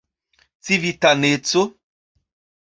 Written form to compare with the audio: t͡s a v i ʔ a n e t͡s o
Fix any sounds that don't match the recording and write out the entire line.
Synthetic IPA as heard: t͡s i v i t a n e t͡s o